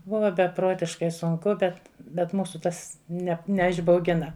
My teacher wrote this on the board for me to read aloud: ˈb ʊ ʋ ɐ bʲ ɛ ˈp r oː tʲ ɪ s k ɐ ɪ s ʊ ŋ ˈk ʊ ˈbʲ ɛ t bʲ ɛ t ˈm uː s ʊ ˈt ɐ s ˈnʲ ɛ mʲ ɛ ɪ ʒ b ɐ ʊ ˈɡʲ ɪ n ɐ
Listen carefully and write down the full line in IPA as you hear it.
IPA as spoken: ˈb ʊ ʋ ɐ bʲ ɛ ˈp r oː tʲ ɪ ʃ k ɐ ɪ s ʊ ŋ ˈk ʊ ˈbʲ ɛ t bʲ ɛ t ˈm uː s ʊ ˈt ɐ s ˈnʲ ɛ nʲ ɛ ɪ ʒ b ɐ ʊ ˈɡʲ ɪ n ɐ